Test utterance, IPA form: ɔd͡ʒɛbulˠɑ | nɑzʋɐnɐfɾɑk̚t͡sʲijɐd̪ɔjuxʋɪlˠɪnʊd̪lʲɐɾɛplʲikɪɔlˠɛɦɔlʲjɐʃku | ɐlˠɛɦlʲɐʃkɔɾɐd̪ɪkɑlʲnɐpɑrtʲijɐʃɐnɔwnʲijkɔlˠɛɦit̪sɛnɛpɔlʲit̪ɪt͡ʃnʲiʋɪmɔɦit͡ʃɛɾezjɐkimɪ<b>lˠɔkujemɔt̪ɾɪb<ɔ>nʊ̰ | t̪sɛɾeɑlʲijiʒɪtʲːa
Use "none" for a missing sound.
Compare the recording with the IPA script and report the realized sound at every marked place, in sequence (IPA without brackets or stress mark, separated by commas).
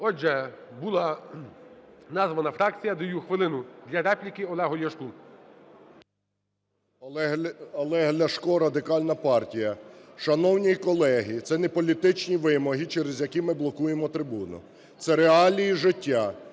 b, u